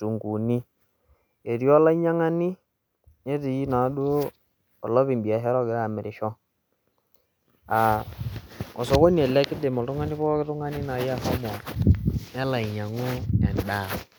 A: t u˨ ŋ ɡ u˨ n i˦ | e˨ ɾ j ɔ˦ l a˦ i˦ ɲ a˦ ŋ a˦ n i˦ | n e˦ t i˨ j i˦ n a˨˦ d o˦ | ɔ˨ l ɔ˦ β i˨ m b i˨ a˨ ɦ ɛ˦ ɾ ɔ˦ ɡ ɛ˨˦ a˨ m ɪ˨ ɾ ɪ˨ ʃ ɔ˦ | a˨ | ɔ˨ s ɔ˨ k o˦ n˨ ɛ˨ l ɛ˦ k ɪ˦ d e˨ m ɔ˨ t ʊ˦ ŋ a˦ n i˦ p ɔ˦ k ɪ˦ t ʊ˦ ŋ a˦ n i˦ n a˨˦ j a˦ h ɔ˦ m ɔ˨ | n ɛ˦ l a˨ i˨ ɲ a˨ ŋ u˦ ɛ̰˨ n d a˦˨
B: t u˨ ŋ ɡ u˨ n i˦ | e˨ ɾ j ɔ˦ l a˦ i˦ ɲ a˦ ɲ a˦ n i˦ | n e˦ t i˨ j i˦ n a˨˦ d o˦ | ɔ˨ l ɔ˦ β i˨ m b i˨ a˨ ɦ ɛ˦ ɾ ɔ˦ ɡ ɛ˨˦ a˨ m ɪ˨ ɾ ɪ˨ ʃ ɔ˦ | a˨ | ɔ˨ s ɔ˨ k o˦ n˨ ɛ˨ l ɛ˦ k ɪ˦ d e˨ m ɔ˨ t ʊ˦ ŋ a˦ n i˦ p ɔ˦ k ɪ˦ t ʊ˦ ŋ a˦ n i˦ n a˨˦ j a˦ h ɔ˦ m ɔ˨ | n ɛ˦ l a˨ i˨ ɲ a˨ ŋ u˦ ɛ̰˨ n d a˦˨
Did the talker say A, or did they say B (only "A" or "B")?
A